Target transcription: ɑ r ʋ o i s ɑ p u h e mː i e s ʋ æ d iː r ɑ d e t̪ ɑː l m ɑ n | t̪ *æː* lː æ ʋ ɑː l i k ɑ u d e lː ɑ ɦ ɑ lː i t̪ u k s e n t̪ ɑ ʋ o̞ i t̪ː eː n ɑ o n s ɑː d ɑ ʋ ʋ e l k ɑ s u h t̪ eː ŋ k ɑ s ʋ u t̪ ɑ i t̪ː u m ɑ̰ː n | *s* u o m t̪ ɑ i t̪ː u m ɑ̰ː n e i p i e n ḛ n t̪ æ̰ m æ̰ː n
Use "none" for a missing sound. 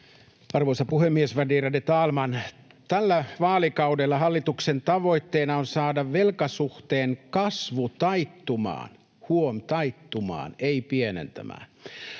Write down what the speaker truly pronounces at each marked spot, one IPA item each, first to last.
æ, h

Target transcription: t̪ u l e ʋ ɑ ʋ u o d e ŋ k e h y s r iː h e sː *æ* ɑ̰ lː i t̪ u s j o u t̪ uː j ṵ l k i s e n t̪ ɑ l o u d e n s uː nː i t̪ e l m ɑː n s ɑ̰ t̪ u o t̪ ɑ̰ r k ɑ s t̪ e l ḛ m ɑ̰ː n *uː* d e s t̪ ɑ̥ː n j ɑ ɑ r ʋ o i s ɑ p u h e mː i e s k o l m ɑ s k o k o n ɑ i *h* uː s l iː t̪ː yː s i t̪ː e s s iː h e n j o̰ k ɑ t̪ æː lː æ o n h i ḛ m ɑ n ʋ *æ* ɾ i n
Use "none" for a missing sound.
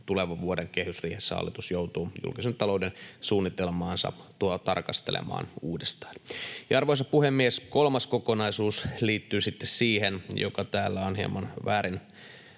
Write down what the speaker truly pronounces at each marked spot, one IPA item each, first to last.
æ, uː, s, æː

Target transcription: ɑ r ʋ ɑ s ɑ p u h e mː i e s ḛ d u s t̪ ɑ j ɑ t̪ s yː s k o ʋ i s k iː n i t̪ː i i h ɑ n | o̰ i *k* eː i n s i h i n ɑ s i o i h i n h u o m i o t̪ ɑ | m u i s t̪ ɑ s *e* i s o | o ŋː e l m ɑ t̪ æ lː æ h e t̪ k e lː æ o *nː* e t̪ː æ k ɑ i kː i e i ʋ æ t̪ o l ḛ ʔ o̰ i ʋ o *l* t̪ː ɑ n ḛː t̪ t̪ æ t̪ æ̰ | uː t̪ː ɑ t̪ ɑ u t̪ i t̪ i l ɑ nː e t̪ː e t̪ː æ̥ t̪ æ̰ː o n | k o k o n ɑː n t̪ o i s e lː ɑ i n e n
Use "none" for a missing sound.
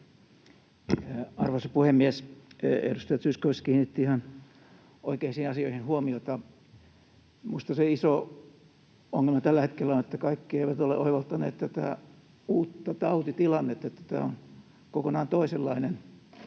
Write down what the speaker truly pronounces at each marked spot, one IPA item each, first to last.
k, e, n, l

